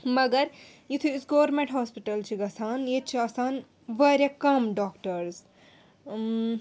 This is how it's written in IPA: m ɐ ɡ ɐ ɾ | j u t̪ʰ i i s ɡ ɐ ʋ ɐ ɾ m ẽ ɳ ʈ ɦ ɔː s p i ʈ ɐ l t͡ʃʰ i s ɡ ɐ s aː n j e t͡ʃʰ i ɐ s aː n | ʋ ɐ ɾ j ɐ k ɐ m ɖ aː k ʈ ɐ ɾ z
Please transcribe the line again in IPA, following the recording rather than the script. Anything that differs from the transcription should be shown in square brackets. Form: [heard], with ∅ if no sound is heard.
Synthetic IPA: m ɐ ɡ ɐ ɾ | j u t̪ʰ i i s ɡ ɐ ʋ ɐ ɾ m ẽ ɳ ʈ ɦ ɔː s p i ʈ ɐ l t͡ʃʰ i [∅] ɡ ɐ s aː n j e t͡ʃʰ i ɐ s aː n | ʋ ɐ ɾ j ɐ k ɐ m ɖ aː k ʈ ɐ ɾ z